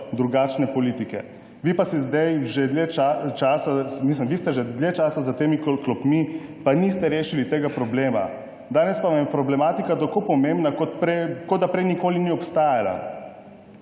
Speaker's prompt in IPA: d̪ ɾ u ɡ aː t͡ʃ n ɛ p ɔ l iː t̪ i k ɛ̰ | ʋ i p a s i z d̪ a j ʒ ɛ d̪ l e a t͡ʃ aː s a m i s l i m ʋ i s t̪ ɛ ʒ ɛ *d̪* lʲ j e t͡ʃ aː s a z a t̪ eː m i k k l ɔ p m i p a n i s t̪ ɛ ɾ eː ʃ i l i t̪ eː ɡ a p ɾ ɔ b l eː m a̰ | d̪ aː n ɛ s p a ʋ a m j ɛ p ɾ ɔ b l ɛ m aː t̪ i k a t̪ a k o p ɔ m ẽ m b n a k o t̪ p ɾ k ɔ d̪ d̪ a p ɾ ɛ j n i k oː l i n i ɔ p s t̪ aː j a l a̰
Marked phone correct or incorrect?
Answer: correct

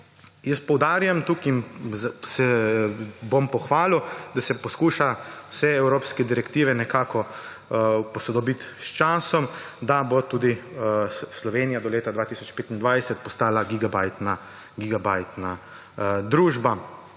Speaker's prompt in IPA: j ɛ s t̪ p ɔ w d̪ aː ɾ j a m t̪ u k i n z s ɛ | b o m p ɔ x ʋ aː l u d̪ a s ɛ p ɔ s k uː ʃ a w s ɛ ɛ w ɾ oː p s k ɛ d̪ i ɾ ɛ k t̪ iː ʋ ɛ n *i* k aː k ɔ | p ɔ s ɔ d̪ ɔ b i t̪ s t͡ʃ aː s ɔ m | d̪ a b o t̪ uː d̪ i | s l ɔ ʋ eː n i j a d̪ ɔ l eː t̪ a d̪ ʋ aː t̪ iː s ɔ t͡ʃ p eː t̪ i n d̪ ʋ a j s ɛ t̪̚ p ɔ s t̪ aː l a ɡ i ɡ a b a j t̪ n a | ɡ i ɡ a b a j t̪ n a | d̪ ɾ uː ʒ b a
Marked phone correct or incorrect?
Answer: incorrect: ɛ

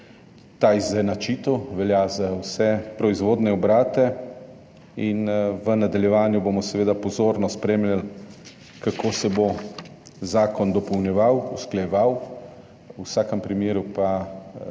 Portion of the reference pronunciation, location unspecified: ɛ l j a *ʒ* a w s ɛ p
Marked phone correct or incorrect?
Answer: incorrect: z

